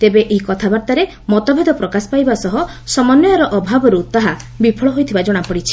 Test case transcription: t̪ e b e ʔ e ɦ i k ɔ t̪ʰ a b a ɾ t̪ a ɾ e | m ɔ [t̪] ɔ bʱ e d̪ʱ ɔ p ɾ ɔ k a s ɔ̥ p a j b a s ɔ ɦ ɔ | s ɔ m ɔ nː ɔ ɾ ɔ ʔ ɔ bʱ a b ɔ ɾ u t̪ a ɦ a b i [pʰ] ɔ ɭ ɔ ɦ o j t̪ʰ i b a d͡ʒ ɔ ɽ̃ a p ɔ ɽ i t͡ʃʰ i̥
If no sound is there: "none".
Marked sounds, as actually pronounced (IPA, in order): t̪, pʰ

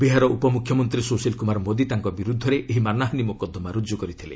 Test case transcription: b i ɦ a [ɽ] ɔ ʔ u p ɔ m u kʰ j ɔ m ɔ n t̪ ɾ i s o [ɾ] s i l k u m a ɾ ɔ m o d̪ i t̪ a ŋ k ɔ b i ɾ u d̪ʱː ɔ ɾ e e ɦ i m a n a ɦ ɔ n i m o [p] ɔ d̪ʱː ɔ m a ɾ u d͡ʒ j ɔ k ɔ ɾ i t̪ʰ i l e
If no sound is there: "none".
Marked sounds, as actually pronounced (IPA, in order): ɾ, none, k

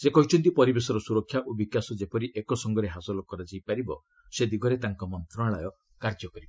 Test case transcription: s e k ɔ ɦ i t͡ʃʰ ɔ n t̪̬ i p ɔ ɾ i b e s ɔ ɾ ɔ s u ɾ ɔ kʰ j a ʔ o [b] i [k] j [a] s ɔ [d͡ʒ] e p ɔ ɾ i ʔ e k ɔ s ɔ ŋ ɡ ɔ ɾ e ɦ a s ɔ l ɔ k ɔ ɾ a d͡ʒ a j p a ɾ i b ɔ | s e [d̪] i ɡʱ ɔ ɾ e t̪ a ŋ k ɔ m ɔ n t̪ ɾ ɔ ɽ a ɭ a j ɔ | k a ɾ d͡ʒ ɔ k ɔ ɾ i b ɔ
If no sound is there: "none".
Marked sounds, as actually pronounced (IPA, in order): b, k, a, d͡ʒ, d̪

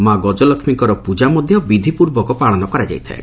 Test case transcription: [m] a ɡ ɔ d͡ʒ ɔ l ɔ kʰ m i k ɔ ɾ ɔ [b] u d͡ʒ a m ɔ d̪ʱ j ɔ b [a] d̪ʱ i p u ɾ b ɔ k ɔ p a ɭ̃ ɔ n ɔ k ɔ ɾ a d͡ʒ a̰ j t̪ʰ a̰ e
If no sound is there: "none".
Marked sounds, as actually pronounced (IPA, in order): m, p, i

